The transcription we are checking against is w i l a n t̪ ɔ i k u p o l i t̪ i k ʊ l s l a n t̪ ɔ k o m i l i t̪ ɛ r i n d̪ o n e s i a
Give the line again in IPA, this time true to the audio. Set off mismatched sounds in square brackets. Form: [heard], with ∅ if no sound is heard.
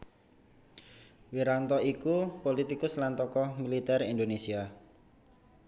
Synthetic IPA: w i [ɾ] a n t̪ ɔ i k u p o l i t̪ i k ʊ [∅] s l a n t̪ ɔ k [ɔ] m i l i t̪ ɛ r i n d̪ o n e s i a

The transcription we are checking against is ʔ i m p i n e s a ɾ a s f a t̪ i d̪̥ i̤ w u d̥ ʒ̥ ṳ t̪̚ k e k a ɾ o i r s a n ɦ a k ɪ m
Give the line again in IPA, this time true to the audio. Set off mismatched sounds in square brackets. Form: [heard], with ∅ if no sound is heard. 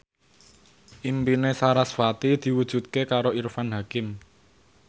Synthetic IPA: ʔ i m p i n e s a ɾ a s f a t̪ i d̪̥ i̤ w u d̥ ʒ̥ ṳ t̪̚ k e k a ɾ o i r [f] a n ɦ a k ɪ m

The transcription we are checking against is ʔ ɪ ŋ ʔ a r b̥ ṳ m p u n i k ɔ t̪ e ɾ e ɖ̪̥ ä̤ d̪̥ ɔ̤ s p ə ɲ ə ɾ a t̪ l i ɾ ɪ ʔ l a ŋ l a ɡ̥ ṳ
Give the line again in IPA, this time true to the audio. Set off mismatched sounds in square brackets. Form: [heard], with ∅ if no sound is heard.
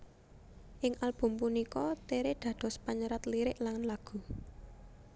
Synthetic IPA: ʔ ɪ ŋ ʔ a [l] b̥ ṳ m p u n i k ɔ t̪ e ɾ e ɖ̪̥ ä̤ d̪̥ ɔ̤ s p [a] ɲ ə ɾ a t̪ l i ɾ ɪ ʔ l a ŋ l a ɡ̥ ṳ

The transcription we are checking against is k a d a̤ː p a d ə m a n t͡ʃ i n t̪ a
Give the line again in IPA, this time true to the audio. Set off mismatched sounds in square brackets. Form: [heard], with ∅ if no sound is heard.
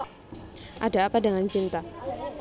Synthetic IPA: [ʔ] a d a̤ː p a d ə [ŋ] a n t͡ʃ i n t̪ a

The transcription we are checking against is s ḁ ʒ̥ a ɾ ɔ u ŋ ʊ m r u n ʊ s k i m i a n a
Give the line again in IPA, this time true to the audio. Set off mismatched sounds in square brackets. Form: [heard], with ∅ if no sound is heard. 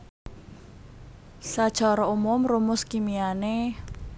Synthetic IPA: s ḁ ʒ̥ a ɾ ɔ u [m] ʊ m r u [m] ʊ s k i m i a n [e]

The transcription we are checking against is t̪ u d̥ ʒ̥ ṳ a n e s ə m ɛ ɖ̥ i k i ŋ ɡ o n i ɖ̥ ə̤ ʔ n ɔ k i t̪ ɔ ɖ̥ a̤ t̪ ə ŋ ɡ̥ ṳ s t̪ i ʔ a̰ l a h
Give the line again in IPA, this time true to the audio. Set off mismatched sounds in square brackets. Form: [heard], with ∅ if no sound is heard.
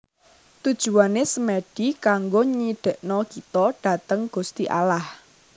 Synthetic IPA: t̪ u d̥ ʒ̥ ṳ a n e s ə m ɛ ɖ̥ i k [a] ŋ ɡ o [ɲ] i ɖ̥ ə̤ ʔ n ɔ k i t̪ ɔ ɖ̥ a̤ t̪ ə ŋ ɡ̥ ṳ s t̪ i ʔ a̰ l a h

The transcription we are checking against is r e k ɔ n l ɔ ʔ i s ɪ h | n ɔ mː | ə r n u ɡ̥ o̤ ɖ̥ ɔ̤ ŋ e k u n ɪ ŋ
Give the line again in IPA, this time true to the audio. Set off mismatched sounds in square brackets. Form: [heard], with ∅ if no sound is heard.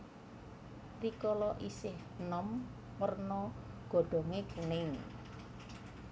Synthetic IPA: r [i] k ɔ [∅] l ɔ ʔ i s ɪ h | n ɔ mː | ə r n [ɔ] ɡ̥ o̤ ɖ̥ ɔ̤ ŋ e k u n ɪ ŋ

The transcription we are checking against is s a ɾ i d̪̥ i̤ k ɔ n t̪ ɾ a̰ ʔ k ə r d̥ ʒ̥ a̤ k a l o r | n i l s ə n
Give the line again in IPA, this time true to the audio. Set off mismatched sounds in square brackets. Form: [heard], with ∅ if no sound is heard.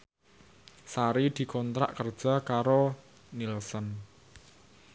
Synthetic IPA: s a ɾ i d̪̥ i̤ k ɔ n t̪ ɾ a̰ ʔ k ə r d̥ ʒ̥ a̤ k a [ɾ] o [∅] | n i l s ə n

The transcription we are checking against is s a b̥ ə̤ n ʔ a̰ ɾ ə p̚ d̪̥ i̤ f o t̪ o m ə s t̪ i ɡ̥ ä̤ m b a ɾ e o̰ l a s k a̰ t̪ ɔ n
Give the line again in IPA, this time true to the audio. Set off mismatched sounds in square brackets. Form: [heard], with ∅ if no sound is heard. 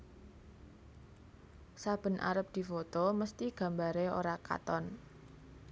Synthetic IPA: s a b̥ ə̤ n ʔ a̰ ɾ ə p̚ d̪̥ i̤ f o t̪ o m ə s t̪ i ɡ̥ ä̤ m b a ɾ e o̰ [ɾ] a [∅] k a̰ t̪ ɔ n

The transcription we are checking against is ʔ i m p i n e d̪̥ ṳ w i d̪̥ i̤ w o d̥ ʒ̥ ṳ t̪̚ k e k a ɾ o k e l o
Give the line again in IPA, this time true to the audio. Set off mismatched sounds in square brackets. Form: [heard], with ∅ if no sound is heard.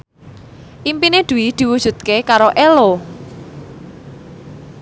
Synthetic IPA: ʔ i m p i n e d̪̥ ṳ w i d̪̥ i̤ w [u] d̥ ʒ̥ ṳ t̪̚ k e k a ɾ o [ʔ] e l o

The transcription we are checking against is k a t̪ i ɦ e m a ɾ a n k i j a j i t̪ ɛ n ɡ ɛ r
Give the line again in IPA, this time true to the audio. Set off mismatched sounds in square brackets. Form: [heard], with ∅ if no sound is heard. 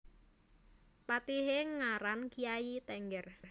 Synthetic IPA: [p] a t̪ i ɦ e [ŋ] a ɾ a n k i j a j i t̪ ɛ [ŋ] ɡ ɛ r

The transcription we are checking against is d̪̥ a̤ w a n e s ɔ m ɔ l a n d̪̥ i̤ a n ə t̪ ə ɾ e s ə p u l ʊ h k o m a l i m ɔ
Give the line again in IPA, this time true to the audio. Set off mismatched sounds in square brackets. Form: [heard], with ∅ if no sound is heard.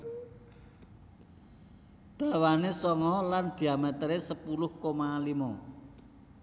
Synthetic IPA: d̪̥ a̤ w a n e s ɔ [ŋ] ɔ l a n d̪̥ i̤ a [m] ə t̪ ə ɾ e s ə p u l ʊ h k o m a l i m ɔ

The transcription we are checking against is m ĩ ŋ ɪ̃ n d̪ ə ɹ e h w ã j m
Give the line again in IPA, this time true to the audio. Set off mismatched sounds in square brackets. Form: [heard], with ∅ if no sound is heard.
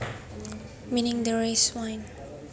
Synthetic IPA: m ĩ [n] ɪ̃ [ŋ] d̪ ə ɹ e [s] w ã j [n]

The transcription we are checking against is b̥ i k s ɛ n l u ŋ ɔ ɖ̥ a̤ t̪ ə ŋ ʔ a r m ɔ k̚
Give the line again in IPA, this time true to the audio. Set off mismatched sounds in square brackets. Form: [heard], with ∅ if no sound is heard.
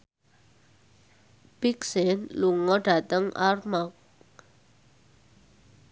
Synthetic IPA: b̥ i k s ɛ n l u ŋ ɔ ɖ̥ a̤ t̪ ə ŋ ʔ a r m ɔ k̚

